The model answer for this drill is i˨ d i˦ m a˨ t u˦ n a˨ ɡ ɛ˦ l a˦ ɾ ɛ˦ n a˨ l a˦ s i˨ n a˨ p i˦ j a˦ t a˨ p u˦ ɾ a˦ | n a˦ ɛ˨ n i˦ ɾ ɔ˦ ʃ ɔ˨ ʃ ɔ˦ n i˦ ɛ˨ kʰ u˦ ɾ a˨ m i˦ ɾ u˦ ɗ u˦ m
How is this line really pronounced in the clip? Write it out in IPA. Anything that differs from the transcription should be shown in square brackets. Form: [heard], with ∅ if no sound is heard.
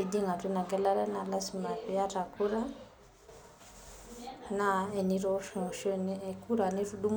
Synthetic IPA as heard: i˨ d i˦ [ŋ] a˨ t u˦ n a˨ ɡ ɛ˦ l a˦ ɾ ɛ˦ n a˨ l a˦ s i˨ [m] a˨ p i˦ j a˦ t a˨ [k] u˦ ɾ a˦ | n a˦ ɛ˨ n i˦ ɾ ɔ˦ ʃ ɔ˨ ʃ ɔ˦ n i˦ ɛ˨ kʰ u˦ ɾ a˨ [n] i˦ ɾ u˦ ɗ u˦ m

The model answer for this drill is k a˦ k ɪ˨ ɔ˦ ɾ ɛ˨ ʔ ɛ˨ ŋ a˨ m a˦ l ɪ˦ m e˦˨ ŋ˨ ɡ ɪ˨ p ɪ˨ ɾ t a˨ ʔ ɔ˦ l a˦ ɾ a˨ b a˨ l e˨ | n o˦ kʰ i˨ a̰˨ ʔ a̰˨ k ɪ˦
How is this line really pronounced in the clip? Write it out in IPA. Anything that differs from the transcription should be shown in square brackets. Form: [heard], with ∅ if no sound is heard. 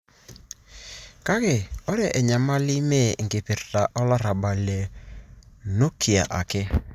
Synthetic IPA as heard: k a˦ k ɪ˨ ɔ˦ ɾ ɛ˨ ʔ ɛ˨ [ɲ] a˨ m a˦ l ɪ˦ m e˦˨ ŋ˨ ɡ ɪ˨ p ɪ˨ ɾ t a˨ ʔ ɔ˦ l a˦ ɾ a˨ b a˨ l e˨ | n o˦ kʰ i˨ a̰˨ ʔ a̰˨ k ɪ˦

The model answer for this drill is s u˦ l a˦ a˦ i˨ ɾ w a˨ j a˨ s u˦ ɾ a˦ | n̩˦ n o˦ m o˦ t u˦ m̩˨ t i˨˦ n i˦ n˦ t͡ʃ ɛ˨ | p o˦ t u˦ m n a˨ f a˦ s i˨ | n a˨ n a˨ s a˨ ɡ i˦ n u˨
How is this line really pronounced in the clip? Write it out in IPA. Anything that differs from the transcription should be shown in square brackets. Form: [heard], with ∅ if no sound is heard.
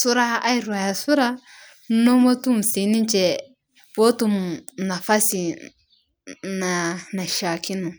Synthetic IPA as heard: s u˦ [ɾ] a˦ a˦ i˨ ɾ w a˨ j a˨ s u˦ ɾ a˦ | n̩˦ n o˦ m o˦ t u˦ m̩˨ [s] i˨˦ n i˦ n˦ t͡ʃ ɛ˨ | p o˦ t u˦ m n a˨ f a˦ s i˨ | n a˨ n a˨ [ʃ] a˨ [k] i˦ n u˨

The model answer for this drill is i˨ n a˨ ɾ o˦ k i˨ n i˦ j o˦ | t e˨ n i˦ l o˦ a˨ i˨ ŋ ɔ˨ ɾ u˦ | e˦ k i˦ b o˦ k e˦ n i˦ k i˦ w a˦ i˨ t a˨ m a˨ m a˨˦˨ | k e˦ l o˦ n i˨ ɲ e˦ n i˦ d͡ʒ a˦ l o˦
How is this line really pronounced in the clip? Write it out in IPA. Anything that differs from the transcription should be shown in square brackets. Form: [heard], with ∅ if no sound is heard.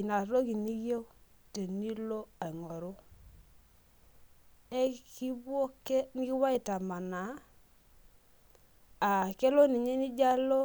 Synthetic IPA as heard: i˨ n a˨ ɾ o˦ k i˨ n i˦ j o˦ | t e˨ n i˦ l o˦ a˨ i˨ ŋ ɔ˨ ɾ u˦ | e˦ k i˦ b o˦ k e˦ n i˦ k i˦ w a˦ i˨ t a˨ m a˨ [n] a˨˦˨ | k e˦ l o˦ n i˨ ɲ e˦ n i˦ d͡ʒ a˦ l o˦

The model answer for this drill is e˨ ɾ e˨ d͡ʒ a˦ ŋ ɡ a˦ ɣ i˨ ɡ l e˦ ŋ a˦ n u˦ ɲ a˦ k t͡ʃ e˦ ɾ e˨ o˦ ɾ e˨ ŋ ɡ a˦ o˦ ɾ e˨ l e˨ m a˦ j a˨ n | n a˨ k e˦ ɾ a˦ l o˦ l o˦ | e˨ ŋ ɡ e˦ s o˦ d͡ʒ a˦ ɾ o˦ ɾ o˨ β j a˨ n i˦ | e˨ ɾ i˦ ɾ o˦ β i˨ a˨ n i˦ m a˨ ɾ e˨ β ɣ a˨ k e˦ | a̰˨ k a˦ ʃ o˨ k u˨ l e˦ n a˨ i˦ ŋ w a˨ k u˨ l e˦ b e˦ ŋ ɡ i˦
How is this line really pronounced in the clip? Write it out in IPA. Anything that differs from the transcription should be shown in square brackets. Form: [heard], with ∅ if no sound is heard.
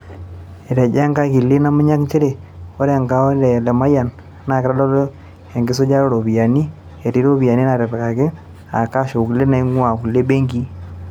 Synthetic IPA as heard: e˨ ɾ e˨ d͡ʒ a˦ ŋ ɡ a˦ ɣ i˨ [∅] l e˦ [n] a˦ [m] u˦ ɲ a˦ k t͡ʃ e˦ ɾ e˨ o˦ ɾ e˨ ŋ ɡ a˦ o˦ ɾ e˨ l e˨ m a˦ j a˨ n | n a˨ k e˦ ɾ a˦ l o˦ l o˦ | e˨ ŋ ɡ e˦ s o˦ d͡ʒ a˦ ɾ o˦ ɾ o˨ β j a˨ n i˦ | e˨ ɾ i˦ ɾ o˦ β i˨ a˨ n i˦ [n] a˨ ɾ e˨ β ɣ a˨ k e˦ | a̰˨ k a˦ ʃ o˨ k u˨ l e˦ n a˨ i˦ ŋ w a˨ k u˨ l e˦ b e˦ ŋ ɡ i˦

